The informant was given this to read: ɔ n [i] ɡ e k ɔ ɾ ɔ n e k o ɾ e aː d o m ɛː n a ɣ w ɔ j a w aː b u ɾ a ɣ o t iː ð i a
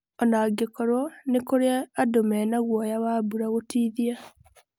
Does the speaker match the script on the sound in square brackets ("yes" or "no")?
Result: no